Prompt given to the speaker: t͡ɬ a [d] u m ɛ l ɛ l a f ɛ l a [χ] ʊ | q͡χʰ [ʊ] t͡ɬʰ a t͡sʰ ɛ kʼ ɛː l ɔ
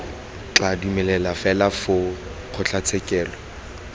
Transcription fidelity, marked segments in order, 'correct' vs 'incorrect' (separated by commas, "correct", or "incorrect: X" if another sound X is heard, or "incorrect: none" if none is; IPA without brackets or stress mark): correct, incorrect: f, correct